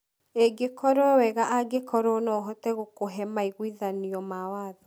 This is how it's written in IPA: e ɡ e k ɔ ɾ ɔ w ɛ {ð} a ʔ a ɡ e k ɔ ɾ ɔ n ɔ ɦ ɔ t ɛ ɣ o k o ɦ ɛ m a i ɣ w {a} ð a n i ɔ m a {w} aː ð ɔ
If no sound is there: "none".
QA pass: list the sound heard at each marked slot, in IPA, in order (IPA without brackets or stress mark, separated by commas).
ɣ, i, w